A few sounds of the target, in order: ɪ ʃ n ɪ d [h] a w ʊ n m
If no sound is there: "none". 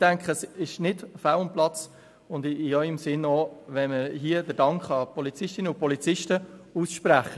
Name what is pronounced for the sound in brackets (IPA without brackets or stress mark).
f